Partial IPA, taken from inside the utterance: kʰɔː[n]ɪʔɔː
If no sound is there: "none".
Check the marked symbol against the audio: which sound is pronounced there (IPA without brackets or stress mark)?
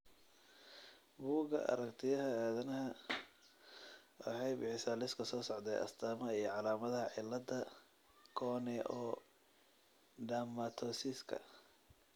n